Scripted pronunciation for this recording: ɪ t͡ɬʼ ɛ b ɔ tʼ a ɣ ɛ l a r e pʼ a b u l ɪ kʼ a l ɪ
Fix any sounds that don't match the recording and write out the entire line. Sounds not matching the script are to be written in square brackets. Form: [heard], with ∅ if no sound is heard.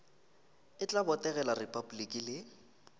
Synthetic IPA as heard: ɪ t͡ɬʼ [a] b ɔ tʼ [ɛ] ɣ ɛ l a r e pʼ a b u l [i] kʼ [i] l ɪ